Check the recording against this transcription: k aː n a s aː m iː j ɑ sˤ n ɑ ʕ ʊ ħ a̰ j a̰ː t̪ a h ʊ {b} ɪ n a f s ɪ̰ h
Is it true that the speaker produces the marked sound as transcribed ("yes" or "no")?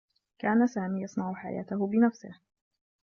yes